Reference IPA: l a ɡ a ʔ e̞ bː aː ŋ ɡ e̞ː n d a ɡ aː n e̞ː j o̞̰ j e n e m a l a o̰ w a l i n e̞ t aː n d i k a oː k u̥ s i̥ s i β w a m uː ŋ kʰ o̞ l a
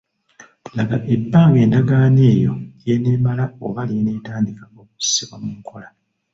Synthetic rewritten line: l a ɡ a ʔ e̞ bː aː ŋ ɡ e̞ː n d a ɡ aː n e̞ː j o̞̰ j e n e m a l a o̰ β a l i n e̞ t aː n d i k a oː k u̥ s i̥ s i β w a m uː ŋ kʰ o̞ l a